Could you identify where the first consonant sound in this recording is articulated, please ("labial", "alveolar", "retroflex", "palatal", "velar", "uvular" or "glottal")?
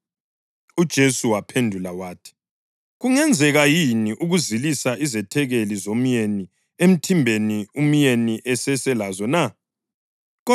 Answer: alveolar